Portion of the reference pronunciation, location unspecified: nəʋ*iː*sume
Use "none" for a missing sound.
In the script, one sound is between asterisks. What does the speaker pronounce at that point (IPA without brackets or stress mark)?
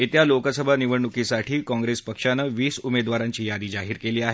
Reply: iː